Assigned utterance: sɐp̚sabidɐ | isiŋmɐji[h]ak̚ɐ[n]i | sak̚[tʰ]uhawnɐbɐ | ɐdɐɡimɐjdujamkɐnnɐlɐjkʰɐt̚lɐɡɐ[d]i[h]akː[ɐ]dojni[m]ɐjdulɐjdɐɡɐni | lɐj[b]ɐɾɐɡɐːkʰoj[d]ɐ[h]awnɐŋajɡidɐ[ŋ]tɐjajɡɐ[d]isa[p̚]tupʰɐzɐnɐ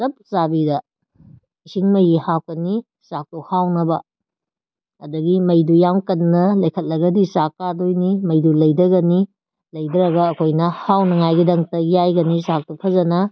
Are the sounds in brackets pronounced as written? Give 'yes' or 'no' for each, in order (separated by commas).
yes, yes, no, yes, no, no, yes, no, no, yes, yes, no, no